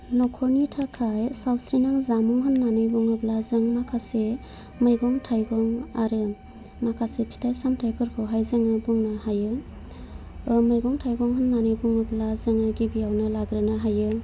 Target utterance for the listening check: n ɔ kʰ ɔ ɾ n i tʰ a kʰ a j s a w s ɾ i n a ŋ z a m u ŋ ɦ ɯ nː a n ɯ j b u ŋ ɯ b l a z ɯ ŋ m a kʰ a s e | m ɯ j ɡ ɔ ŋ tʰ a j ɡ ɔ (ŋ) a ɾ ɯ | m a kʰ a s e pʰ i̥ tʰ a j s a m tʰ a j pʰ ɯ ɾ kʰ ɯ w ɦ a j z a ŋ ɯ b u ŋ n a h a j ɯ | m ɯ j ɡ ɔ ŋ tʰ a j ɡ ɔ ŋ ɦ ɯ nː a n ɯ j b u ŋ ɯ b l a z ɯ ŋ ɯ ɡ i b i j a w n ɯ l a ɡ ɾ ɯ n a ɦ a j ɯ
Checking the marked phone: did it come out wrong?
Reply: no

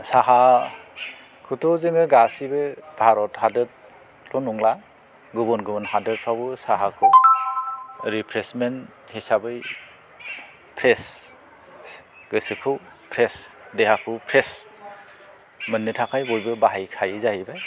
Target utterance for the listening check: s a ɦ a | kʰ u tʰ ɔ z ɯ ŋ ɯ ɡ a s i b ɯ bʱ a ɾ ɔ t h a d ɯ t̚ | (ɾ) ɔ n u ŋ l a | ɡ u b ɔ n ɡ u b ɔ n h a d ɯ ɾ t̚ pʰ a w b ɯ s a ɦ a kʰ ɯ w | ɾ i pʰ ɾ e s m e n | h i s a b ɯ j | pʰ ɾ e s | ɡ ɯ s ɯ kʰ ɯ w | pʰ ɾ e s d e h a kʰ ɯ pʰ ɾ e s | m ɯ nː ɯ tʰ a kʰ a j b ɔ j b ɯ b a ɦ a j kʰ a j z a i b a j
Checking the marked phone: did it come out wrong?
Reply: yes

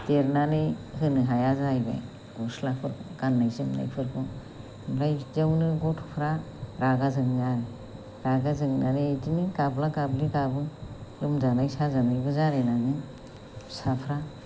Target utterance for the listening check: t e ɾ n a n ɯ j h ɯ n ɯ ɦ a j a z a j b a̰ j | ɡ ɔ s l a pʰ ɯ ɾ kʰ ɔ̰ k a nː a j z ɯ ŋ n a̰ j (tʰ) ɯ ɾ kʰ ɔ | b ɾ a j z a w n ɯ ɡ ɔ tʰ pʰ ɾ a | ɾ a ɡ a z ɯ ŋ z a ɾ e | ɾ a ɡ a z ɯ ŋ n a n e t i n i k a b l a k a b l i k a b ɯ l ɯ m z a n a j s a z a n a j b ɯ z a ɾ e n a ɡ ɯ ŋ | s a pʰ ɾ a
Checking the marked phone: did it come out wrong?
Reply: yes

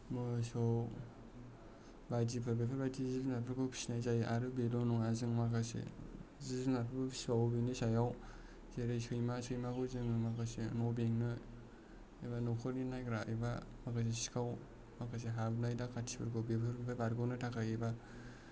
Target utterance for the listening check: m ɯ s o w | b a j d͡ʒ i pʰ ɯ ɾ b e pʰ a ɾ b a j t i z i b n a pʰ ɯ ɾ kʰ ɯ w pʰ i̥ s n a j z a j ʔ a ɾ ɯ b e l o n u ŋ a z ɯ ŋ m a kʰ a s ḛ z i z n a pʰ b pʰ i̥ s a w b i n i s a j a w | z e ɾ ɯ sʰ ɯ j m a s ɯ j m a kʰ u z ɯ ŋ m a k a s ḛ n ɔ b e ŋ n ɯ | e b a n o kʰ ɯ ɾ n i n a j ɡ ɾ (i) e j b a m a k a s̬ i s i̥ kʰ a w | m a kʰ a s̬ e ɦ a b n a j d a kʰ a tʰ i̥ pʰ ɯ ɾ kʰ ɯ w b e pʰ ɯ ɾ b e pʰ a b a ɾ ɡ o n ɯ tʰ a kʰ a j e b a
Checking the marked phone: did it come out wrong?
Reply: yes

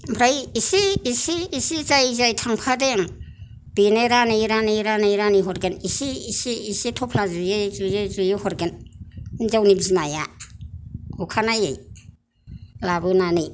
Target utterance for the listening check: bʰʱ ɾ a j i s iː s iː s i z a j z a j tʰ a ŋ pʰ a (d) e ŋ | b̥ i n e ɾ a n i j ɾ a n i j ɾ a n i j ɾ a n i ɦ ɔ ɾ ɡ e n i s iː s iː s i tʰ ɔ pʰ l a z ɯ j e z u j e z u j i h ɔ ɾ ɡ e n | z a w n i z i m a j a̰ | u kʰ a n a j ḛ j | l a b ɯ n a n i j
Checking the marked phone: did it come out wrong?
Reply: no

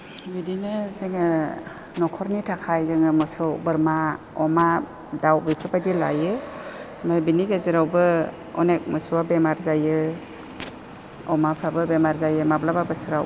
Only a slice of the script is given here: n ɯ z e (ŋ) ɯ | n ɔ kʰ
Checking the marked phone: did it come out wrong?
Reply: no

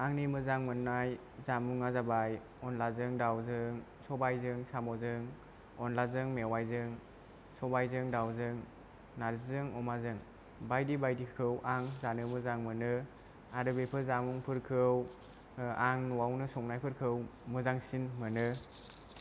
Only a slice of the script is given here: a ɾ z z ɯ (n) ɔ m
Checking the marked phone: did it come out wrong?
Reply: yes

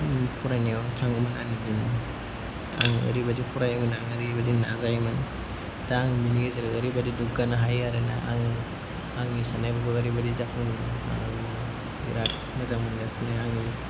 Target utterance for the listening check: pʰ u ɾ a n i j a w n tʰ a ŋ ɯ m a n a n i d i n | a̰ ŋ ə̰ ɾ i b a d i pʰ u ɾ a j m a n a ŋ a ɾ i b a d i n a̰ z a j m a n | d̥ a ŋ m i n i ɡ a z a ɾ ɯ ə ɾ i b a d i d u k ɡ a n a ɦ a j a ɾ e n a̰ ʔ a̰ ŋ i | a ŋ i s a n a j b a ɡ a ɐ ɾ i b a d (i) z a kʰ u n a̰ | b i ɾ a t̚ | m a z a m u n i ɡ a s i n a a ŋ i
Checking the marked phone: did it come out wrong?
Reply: no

